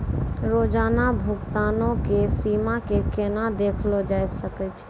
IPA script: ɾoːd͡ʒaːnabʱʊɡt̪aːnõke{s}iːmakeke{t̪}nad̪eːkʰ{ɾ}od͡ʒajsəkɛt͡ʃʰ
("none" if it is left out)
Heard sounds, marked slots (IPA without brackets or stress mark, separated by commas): s, none, l